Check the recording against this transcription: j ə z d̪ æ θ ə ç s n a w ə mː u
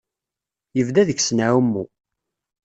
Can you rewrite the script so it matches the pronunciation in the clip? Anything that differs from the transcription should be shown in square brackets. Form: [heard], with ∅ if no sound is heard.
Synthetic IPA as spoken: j ə [v] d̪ æ [ð] ə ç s n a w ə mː u